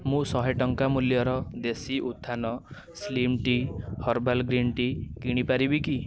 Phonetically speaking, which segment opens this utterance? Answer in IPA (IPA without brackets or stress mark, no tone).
m